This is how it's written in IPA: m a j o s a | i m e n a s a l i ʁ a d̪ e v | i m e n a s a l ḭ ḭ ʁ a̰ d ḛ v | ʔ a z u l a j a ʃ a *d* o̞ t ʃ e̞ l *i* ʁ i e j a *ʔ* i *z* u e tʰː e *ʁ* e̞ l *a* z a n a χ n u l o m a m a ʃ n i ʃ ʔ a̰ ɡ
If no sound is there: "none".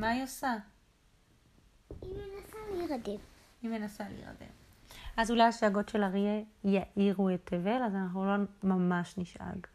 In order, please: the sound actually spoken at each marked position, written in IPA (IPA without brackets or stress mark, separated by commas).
ɡ, a, ʔ, ʁ, v, a